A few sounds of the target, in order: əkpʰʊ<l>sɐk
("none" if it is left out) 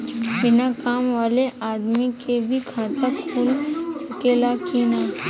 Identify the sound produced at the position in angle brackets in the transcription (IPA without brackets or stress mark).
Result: l